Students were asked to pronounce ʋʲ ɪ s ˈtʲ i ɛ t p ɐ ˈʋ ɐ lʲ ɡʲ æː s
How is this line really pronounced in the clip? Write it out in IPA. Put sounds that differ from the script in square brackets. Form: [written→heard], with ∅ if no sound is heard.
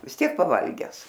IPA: ʋʲ ɪ s ˈtʲ i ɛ [t→k] p ɐ ˈʋ ɐ lʲ ɡʲ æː s